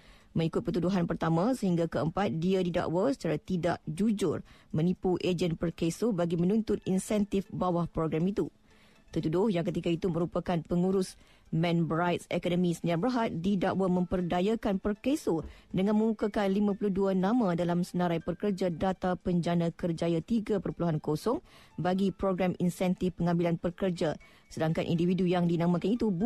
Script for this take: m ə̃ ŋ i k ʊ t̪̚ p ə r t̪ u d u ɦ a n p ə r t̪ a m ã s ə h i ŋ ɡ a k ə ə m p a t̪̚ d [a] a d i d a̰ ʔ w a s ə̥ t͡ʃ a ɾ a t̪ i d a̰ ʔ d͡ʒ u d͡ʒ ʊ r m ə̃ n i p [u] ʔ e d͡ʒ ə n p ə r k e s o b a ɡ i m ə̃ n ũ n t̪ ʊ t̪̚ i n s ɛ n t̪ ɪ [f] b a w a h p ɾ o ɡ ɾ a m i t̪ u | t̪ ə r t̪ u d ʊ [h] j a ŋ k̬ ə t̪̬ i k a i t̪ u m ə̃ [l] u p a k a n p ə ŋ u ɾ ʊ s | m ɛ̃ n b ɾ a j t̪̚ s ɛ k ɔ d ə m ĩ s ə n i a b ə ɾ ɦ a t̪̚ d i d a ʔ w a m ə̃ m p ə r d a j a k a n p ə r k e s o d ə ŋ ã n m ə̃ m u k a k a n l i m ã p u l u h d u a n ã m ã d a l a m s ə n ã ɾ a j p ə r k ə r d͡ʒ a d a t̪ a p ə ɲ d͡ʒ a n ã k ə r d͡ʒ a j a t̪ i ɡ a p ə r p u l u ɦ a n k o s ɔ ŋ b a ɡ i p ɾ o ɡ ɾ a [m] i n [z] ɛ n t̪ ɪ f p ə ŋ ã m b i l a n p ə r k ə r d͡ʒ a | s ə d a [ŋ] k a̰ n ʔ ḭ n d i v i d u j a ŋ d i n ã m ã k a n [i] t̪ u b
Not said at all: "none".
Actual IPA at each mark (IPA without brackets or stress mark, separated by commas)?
i, u, f, h, ɾ, m, s, ŋ, i